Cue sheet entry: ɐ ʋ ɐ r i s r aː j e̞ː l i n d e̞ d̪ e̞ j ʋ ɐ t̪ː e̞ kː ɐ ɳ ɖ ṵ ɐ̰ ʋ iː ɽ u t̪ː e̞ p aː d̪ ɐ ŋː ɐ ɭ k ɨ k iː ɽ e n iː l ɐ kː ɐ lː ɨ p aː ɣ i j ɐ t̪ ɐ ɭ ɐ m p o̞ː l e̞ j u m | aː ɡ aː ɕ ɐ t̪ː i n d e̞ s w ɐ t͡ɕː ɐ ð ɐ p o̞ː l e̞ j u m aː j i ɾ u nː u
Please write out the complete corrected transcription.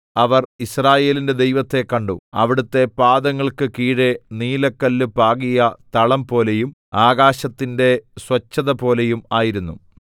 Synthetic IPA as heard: ɐ ʋ ɐ r i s r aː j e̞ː l i n d e̞ d̪ e̞ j ʋ ɐ t̪ː e̞ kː ɐ ɳ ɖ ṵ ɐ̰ ʋ i ɽ u t̪ː e̞ p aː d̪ ɐ ŋː ɐ ɭ k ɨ k iː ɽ e n iː l ɐ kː ɐ lː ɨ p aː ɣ i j ɐ t̪ ɐ ɭ ɐ m p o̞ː l e̞ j u m | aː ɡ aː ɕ ɐ t̪ː i n d e̞ s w ɐ t͡ɕː ɐ ð ɐ p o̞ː l e̞ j u m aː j i ɾ u nː u

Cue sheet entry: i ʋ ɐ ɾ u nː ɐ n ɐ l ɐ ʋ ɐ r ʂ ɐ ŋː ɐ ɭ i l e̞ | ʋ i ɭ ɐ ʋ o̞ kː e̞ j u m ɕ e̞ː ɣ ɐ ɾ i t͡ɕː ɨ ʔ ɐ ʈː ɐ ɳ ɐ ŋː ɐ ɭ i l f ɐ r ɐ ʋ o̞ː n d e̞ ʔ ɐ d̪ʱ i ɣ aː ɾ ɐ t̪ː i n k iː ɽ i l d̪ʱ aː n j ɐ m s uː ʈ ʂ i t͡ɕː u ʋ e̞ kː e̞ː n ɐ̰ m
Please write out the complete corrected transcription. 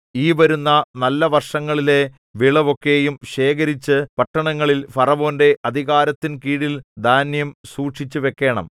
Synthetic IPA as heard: iː ʋ ɐ ɾ u nː ɐ n ɐ lː ɐ ʋ ɐ r ʂ ɐ ŋː ɐ ɭ i l e̞ | ʋ i ɭ ɐ ʋ o̞ kː e̞ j u m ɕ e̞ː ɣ ɐ ɾ i t͡ɕː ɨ p ɐ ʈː ɐ ɳ ɐ ŋː ɐ ɭ i l f ɐ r ɐ ʋ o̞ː n d e̞ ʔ ɐ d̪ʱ i ɣ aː ɾ ɐ t̪ː i n k iː ɽ i l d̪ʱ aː n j ɐ m s uː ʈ ʂ i t͡ɕː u ʋ e̞ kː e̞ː ɳ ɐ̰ m

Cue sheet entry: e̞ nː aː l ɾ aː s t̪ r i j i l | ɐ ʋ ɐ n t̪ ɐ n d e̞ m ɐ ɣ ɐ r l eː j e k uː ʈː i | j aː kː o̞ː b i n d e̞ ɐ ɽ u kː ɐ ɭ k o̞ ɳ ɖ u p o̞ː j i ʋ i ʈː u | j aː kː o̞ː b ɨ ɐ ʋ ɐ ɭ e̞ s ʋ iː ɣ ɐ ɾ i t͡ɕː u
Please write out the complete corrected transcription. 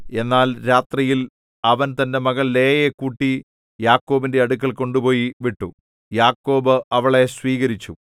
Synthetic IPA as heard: e̞ nː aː l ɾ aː t̪ r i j i l | ɐ ʋ ɐ n t̪ ɐ n d e̞ m ɐ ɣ ɐ ɭ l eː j e k uː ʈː i | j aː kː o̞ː b i n d e̞ ɐ ɽ u kː ɐ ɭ k o̞ ɳ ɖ u p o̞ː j i ʋ i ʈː u | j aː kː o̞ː b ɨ ɐ ʋ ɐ ɭ e̞ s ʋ iː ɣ ɐ ɾ i t͡ɕː u

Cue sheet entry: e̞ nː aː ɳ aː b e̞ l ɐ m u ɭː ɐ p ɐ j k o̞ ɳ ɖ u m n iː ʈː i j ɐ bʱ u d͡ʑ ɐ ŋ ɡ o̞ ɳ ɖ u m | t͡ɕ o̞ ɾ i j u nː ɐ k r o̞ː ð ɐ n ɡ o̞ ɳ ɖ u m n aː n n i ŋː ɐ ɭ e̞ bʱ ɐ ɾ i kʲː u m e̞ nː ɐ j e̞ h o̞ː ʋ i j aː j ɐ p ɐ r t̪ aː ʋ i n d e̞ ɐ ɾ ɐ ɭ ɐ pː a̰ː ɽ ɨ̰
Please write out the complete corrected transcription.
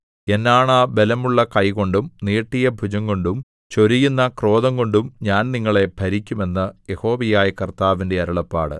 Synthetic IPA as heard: e̞ nː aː ɳ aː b e̞ l ɐ m u ɭː ɐ k ɐ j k o̞ ɳ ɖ u m n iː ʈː i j ɐ bʱ u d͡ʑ ɐ ŋ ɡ o̞ ɳ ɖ u m | t͡ɕ o̞ ɾ i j u nː ɐ k r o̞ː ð ɐ ŋ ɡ o̞ ɳ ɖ u m ɲ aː n n i ŋː ɐ ɭ e̞ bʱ ɐ ɾ i kʲː u m e̞ nː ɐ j e̞ h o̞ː ʋ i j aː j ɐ k ɐ r t̪ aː ʋ i n d e̞ ɐ ɾ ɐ ɭ ɐ pː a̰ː ɽ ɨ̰

